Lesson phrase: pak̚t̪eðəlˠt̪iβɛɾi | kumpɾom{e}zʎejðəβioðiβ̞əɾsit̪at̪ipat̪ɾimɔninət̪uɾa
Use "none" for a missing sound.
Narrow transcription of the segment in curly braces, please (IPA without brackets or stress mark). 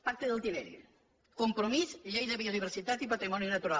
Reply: i